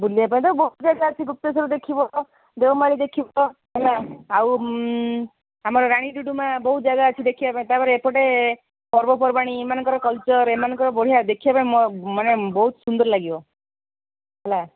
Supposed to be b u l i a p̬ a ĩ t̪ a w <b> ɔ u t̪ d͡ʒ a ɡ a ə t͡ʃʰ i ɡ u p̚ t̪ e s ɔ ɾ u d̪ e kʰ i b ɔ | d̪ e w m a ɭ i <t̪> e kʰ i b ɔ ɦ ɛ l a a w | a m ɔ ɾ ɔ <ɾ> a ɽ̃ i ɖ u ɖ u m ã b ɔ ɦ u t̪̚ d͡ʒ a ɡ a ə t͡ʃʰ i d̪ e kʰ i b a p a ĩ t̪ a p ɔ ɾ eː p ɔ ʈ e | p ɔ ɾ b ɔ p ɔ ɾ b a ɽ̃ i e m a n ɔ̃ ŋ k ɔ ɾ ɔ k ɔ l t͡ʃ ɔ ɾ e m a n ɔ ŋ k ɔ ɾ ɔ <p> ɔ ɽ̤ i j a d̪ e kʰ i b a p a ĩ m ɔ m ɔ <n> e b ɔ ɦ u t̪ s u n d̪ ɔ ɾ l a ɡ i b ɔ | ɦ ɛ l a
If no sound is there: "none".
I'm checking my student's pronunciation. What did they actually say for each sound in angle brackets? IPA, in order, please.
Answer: b, d̪, ɾ, b, n

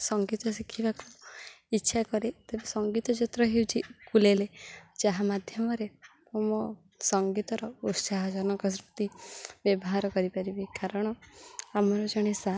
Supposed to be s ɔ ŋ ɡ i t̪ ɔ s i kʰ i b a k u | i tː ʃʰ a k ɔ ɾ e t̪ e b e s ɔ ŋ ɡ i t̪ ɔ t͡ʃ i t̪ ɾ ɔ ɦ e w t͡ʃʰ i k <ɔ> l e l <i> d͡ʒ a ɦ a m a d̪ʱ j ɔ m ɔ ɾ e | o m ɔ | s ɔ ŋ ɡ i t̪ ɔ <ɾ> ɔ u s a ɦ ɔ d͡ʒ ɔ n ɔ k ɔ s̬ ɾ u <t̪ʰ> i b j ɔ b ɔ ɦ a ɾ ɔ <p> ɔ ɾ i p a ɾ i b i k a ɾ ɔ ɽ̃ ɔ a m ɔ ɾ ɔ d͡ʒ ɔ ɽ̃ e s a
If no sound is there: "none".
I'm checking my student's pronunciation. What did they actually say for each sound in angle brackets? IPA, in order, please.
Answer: u, e, ɾ, t̪, k

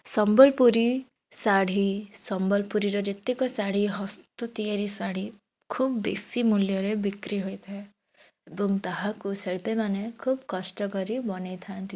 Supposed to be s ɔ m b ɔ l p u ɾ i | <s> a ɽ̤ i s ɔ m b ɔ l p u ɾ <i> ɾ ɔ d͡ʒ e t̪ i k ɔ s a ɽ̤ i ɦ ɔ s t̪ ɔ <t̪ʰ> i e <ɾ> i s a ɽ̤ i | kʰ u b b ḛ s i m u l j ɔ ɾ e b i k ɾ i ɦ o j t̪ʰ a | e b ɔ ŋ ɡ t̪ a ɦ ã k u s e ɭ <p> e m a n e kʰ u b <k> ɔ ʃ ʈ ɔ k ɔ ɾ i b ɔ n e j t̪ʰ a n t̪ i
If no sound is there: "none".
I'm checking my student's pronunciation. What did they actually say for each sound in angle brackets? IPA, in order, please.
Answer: s, i, t̪, ɾ, p, k

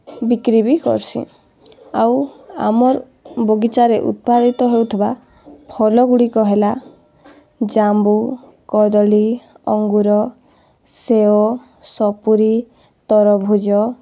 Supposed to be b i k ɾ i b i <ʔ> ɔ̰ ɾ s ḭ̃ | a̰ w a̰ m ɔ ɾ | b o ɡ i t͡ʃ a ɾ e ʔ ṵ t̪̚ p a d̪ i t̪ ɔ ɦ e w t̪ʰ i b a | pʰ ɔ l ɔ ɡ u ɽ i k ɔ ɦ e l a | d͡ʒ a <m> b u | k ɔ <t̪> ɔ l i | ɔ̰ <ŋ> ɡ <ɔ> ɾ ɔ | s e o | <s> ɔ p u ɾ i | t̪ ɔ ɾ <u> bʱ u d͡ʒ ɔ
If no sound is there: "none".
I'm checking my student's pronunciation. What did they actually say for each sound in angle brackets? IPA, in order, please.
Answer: k, m, d̪, ŋ, u, s, ɔ

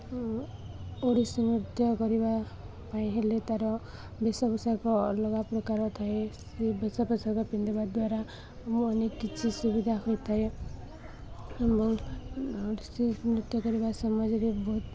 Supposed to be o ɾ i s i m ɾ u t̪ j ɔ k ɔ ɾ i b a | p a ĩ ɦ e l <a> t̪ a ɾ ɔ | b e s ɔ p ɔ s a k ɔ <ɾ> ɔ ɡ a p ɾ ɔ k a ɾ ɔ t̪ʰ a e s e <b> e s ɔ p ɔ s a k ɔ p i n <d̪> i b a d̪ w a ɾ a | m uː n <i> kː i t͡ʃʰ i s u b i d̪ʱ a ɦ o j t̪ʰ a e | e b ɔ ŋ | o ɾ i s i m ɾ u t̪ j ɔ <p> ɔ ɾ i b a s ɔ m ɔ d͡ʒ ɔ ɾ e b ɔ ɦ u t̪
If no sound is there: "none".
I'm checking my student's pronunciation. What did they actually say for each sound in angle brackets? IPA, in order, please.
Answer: e, l, b, d̪, e, k

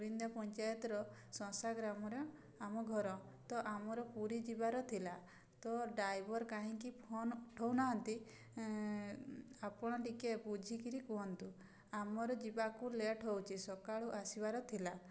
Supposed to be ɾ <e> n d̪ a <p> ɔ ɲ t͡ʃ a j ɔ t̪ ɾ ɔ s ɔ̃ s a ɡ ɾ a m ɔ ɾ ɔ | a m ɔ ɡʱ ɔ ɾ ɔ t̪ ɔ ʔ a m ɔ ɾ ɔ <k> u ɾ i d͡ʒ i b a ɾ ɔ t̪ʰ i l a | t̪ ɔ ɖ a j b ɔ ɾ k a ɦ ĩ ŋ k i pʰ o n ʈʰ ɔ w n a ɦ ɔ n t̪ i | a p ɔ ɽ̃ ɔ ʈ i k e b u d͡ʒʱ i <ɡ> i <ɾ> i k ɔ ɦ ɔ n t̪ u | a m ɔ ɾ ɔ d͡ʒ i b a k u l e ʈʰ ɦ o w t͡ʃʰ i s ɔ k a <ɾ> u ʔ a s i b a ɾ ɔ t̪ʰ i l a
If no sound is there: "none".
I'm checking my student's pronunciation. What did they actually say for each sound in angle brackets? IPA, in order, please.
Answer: i, p, p, k, ɾ, ɭ

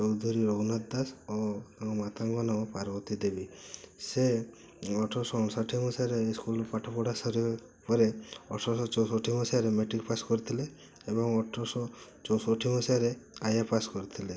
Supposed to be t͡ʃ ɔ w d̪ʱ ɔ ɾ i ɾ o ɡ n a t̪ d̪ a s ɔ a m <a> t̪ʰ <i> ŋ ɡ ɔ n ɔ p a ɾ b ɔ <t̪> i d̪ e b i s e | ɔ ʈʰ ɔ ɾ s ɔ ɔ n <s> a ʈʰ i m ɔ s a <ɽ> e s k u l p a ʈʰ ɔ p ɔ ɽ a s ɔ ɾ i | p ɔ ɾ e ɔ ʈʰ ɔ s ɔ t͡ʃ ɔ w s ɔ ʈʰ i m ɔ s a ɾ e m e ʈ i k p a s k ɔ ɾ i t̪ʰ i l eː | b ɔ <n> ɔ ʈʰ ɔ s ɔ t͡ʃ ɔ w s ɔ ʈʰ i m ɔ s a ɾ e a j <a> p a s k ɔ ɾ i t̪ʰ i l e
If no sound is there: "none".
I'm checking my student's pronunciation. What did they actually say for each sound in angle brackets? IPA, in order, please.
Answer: a, a, t̪, s, ɾ, ŋ, a

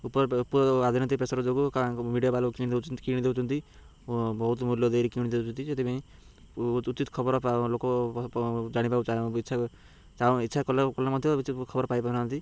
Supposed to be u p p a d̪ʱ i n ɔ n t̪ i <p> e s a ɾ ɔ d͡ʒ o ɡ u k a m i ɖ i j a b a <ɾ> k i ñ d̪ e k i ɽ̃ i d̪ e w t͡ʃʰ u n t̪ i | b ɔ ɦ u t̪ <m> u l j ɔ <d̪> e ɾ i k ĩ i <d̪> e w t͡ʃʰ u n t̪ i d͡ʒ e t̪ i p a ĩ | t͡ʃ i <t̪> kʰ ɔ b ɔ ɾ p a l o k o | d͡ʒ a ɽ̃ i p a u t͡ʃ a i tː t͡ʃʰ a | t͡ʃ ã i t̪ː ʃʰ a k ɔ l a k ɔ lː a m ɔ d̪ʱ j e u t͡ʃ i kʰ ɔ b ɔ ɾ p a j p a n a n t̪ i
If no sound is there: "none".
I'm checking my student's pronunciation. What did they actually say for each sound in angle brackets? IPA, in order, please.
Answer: p, l, m, d̪, d̪, t̪

